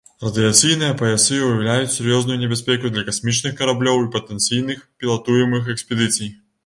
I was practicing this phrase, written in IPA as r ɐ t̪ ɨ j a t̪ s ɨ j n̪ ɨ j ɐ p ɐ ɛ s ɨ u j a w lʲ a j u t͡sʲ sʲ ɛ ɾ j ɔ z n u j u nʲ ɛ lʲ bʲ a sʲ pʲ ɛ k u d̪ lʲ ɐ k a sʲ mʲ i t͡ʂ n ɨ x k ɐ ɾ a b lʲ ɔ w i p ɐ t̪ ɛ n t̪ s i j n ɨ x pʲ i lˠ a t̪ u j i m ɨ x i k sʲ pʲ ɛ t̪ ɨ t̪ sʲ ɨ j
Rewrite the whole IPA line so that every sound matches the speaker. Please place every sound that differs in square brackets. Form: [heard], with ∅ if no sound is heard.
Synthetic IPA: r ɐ [d̪] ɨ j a t̪ s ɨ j n̪ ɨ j ɐ p ɐ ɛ s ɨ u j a w lʲ a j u t͡sʲ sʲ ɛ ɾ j ɔ z n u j u nʲ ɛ [∅] bʲ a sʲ pʲ ɛ k u d̪ lʲ ɐ k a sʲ mʲ i t͡ʂ n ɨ x k ɐ ɾ a b lʲ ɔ w i p ɐ t̪ ɛ n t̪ s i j n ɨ x pʲ i lˠ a t̪ u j [ɛ] m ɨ x [ɛ] k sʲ pʲ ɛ [d̪] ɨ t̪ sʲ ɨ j

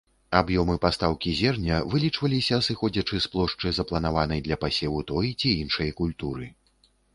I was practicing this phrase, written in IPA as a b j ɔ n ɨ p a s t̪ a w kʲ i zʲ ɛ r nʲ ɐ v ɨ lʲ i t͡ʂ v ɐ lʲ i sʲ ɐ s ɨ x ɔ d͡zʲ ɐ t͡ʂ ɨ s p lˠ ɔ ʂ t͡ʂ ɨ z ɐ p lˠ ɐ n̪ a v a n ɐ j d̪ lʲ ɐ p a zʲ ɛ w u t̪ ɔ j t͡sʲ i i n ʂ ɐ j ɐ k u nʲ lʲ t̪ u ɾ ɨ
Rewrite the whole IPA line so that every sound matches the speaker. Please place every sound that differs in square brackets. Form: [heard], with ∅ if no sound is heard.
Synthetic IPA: a b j ɔ [m] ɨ p a s t̪ a w kʲ i zʲ ɛ r nʲ ɐ v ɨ lʲ i t͡ʂ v ɐ lʲ i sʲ ɐ s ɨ x ɔ d͡zʲ ɐ t͡ʂ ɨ s p lˠ ɔ ʂ t͡ʂ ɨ z ɐ p lˠ ɐ n̪ a v a n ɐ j d̪ lʲ ɐ p a [sʲ] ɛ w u t̪ ɔ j t͡sʲ i i n ʂ ɐ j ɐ k u [∅] lʲ t̪ u ɾ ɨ

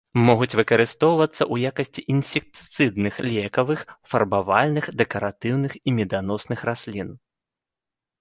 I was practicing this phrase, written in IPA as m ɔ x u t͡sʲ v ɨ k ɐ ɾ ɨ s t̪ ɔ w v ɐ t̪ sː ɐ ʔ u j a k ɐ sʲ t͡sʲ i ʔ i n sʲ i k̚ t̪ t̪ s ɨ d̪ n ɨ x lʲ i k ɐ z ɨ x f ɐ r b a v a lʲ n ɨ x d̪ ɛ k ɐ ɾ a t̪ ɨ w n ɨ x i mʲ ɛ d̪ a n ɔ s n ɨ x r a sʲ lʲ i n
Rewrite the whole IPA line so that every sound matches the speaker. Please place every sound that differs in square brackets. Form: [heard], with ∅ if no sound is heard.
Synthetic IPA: m ɔ [ɣ] u t͡sʲ v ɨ k ɐ ɾ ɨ s t̪ ɔ w v ɐ t̪ sː ɐ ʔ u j a k ɐ sʲ t͡sʲ i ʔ i n sʲ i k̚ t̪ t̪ s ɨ d̪ n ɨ x lʲ [ɛ] k ɐ [v] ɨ x f ɐ r b a v a lʲ n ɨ x d̪ ɛ k ɐ ɾ a t̪ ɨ w n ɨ x i mʲ ɛ d̪ a n ɔ s n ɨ x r a sʲ lʲ i n

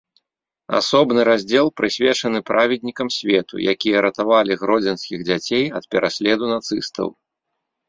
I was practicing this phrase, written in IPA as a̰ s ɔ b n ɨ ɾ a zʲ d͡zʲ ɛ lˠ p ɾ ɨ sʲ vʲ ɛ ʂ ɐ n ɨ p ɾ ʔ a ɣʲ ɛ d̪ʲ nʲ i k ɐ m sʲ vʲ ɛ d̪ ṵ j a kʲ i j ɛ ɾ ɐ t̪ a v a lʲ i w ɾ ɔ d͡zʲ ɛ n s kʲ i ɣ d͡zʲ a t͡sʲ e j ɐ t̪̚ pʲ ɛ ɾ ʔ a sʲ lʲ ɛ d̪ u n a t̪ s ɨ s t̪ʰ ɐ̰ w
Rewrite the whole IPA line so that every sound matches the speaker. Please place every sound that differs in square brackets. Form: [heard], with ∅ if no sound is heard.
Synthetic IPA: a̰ s ɔ b n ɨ ɾ a zʲ d͡zʲ ɛ lˠ p ɾ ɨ sʲ vʲ ɛ [t͡ʂ] ɐ n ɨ p ɾ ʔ a [vʲ] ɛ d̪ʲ nʲ i k ɐ m sʲ vʲ ɛ [t̪] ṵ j a kʲ i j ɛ ɾ ɐ t̪ a v a lʲ i [ɣ] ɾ ɔ d͡zʲ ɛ n s kʲ i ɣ d͡zʲ a t͡sʲ e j ɐ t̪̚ pʲ ɛ ɾ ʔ a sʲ lʲ ɛ d̪ u n a t̪ s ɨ s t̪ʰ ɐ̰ w

